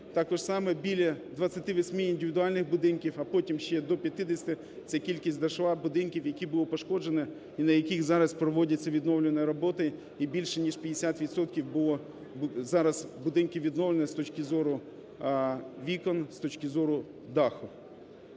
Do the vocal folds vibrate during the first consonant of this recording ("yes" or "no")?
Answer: no